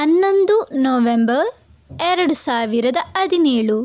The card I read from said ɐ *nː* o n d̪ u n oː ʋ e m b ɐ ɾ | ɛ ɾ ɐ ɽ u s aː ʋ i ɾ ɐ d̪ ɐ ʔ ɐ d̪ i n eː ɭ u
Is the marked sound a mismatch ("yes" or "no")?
no